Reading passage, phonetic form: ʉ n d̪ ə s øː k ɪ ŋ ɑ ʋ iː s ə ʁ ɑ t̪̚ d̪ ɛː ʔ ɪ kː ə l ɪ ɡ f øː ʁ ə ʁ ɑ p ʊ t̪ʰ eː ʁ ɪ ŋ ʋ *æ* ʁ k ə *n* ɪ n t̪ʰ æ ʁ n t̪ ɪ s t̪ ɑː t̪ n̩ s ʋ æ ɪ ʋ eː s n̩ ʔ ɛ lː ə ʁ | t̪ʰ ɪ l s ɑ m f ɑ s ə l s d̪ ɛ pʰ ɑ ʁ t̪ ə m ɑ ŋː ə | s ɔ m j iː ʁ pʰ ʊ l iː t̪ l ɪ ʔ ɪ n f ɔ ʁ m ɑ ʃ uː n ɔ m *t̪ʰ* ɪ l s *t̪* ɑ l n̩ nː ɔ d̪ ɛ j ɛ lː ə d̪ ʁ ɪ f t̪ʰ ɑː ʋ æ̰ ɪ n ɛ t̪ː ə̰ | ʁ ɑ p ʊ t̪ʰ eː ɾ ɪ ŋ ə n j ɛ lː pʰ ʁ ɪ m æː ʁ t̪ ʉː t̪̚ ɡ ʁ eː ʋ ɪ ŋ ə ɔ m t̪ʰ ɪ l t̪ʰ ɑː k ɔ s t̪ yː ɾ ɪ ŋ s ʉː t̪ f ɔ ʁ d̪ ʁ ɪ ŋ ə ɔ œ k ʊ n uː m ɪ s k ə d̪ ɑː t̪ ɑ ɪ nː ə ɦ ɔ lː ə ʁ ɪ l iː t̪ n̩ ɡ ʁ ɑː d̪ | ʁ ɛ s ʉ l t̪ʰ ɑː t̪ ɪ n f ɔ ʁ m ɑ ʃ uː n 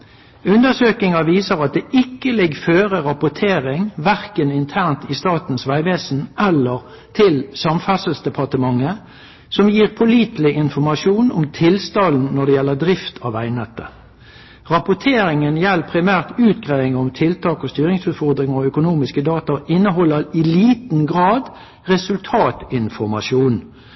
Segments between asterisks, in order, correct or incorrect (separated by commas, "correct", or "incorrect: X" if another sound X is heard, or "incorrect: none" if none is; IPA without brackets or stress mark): correct, correct, correct, correct